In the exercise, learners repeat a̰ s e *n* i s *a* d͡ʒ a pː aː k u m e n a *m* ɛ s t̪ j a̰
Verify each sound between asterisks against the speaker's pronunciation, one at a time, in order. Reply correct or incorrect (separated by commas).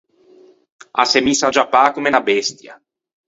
incorrect, correct, incorrect